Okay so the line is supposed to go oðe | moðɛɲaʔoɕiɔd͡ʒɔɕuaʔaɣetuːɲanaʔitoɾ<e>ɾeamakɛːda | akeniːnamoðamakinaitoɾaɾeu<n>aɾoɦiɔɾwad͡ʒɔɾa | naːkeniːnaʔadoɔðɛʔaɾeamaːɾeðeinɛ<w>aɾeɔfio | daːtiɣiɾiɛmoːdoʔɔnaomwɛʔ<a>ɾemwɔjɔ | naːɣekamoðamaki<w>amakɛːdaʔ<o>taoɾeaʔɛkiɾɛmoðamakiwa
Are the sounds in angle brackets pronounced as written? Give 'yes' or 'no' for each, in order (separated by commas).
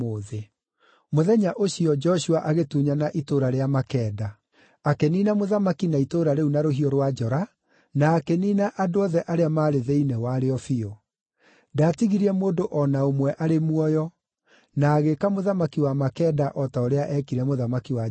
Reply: no, yes, yes, yes, yes, no